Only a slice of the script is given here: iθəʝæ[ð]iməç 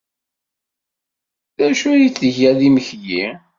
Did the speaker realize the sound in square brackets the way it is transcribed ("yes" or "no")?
yes